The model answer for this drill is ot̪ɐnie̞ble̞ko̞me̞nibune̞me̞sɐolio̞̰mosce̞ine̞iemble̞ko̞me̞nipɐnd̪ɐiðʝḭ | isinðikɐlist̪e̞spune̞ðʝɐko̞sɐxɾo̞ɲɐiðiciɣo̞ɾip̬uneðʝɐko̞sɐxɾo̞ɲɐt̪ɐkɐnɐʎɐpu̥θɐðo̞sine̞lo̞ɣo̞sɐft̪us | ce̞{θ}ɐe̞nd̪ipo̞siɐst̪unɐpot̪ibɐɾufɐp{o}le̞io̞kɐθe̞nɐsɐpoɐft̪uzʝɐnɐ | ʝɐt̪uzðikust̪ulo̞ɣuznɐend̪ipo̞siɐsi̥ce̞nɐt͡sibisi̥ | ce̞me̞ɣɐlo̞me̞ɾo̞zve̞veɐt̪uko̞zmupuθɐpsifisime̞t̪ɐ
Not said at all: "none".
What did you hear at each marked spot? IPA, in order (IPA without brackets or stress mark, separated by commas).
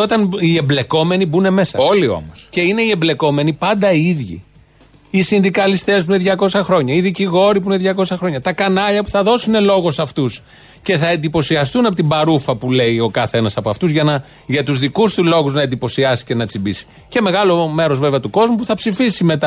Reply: θ, u